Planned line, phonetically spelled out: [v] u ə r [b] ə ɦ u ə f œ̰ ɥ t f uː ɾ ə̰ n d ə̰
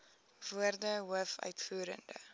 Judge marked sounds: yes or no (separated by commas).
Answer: yes, no